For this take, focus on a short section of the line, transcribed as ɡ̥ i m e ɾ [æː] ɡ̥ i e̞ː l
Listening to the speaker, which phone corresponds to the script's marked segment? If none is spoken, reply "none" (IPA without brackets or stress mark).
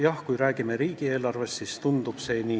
iː